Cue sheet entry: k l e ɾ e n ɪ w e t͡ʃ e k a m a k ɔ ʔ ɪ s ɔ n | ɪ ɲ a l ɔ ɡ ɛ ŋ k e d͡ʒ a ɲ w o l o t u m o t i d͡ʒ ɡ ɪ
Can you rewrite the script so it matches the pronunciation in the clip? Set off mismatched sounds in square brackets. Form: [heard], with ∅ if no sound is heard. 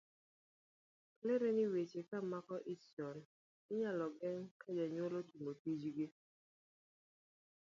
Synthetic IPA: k l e ɾ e n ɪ w e t͡ʃ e k a m a k ɔ ʔ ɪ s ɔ n | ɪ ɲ a l ɔ ɡ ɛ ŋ k [a] d͡ʒ a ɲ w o l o t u m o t i d͡ʒ ɡ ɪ